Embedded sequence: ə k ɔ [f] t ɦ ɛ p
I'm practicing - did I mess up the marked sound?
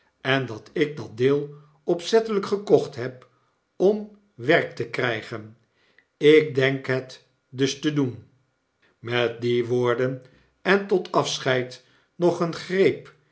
yes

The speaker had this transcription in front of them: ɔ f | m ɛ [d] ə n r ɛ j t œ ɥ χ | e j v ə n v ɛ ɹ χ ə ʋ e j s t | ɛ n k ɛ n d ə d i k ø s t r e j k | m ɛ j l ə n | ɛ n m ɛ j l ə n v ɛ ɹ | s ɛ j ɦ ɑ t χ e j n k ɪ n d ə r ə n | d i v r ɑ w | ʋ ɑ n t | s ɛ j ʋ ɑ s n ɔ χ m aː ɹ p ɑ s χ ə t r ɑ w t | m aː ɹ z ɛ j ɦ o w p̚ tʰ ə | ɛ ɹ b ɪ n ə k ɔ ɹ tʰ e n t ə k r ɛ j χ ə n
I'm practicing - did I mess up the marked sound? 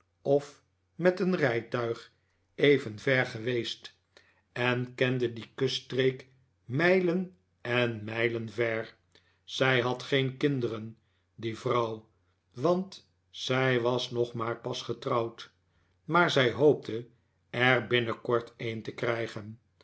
yes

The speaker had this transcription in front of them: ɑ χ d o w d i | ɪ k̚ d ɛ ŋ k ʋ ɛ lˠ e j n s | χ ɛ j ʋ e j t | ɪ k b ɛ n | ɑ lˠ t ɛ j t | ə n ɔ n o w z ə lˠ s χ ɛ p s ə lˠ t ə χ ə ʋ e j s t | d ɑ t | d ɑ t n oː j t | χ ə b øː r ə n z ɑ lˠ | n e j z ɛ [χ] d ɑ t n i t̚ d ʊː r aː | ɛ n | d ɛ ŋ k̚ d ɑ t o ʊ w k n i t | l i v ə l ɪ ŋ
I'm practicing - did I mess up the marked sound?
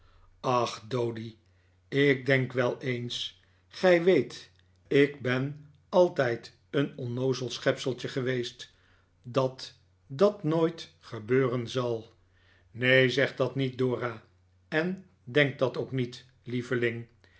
no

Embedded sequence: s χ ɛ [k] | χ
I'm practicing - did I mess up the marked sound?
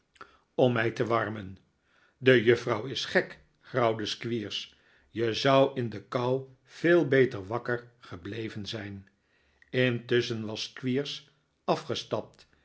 no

